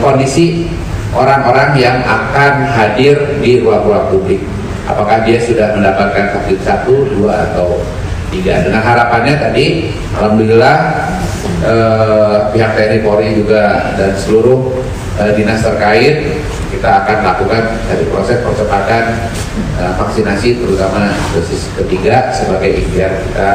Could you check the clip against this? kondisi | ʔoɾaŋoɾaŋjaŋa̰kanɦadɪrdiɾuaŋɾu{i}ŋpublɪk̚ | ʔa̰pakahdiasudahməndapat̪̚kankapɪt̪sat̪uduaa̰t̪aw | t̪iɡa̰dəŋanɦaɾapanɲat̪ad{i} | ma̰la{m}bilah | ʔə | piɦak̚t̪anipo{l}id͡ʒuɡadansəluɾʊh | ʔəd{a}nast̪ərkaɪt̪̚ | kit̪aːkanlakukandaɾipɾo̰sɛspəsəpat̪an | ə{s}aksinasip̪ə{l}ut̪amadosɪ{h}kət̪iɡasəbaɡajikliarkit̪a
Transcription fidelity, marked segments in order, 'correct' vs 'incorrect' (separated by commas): incorrect, correct, correct, incorrect, incorrect, incorrect, incorrect, incorrect